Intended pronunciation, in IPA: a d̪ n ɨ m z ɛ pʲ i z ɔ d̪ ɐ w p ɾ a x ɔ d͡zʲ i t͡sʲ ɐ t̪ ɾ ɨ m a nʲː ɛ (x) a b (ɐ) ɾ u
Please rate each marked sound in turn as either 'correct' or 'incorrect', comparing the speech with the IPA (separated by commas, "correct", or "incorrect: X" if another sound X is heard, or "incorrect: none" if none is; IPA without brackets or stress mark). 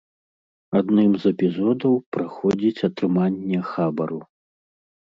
correct, correct